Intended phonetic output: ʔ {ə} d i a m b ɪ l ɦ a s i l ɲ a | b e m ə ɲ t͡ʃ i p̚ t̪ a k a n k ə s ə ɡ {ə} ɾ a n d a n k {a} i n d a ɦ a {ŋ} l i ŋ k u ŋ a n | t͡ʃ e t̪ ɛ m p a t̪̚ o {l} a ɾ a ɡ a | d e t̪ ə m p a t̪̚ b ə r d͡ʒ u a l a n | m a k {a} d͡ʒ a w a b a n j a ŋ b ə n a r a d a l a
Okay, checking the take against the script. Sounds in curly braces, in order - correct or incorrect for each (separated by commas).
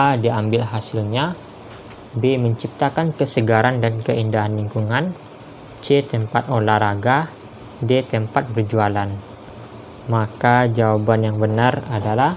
incorrect, incorrect, incorrect, incorrect, correct, correct